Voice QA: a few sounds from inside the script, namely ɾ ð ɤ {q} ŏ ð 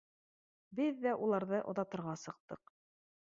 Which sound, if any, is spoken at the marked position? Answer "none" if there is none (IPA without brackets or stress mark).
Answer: ʔ